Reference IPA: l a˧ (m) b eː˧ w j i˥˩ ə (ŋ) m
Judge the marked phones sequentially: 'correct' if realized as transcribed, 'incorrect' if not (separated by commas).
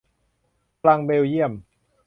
incorrect, incorrect